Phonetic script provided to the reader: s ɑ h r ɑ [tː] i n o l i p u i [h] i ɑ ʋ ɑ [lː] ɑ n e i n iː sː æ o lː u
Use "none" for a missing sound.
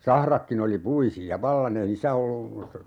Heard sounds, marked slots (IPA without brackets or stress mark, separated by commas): kː, s, lː